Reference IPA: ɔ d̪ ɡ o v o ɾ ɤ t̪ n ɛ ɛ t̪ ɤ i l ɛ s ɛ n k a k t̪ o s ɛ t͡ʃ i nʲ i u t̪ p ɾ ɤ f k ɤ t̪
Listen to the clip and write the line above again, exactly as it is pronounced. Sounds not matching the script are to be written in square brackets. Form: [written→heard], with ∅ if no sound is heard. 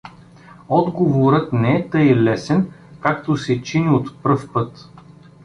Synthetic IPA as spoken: ɔ d̪ ɡ o v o ɾ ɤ t̪ n ɛ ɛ t̪ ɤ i l ɛ s ɛ n k a k t̪ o s ɛ t͡ʃ i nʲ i [u→o] t̪ p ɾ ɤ f [k→p] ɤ t̪